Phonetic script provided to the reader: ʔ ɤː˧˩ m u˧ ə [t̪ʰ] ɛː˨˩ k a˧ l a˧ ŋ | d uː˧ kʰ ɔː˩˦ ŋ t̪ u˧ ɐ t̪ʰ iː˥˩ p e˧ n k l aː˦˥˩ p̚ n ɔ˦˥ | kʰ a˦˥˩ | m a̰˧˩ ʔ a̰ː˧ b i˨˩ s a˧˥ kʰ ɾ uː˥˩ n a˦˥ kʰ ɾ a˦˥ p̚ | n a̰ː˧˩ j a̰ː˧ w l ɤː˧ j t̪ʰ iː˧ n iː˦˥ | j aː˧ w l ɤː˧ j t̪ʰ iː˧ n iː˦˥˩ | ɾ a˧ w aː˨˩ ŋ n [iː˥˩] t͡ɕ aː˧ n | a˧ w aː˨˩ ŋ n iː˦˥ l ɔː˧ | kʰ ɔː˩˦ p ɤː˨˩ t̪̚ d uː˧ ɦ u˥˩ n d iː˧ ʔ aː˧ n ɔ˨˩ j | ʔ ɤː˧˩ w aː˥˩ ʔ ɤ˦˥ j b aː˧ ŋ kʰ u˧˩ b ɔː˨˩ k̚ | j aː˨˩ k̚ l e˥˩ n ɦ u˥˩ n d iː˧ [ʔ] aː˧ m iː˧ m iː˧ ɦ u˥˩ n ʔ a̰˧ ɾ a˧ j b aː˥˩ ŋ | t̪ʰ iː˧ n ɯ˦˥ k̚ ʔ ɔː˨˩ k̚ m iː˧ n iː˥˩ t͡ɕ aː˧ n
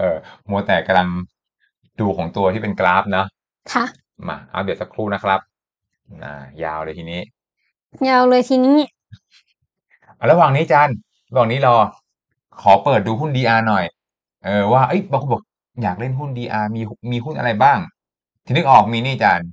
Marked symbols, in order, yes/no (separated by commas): no, no, yes